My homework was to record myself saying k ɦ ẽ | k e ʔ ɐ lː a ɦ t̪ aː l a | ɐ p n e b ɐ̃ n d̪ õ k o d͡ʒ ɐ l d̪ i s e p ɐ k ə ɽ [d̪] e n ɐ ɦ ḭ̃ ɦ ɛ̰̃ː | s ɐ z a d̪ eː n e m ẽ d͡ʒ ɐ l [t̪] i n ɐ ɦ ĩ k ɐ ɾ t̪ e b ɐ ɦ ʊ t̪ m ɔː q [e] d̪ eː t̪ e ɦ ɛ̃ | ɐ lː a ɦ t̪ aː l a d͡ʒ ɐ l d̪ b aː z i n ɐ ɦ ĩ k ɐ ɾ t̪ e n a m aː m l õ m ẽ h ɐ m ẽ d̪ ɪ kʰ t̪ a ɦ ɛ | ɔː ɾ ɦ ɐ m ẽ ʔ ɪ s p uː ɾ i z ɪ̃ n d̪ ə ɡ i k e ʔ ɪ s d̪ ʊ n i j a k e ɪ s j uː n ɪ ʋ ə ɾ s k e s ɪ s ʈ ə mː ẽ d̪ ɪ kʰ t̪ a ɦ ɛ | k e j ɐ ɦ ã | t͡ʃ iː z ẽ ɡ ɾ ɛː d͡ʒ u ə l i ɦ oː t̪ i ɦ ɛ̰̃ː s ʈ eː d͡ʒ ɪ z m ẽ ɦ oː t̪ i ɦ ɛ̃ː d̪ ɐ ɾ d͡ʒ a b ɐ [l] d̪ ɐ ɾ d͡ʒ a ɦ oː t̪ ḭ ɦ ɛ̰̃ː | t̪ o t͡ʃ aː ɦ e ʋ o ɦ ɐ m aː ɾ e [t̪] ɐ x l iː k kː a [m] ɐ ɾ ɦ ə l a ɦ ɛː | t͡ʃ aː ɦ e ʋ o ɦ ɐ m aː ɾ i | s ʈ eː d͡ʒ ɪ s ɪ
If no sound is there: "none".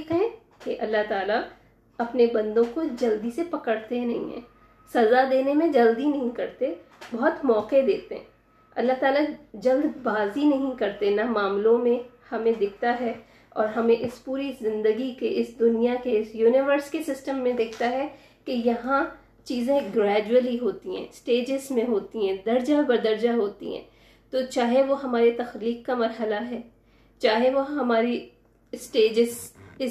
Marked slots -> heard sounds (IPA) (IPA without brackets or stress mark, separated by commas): t̪, d̪, e, ɾ, t̪, m